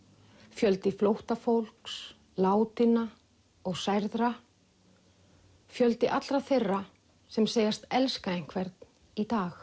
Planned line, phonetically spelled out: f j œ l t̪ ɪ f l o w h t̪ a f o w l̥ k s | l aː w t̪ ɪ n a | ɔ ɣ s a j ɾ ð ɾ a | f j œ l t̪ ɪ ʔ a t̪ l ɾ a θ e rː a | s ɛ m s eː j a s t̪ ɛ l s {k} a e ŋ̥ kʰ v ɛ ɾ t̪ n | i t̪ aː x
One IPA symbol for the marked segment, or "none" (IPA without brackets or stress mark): k